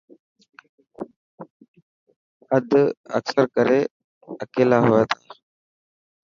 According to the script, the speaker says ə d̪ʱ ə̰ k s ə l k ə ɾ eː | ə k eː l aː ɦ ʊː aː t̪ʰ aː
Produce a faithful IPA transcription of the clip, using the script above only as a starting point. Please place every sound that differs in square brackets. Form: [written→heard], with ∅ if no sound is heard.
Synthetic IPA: ə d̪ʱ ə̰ k s ə [l→ɾ] k ə ɾ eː | ə k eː l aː ɦ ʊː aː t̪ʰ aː